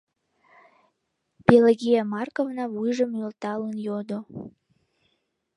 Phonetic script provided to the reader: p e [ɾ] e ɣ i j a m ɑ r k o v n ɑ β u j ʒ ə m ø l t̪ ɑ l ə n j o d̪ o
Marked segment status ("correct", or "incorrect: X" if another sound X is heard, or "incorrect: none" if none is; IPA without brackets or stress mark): incorrect: l